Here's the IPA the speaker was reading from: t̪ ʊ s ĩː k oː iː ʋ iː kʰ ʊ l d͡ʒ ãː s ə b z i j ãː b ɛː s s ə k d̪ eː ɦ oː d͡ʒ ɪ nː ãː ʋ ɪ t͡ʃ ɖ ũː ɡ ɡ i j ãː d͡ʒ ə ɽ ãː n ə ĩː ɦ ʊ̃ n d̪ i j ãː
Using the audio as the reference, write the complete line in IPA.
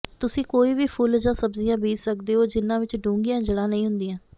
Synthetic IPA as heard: t̪ ʊ s ĩː k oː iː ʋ iː pʰ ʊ l d͡ʒ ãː s ə b z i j ãː b iː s s ə k d̪ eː ɦ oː d͡ʒ ɪ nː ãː ʋ ɪ t͡ʃ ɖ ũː ŋ ɡ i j ãː d͡ʒ ə ɽ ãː n ə ĩː ɦ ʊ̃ n d̪ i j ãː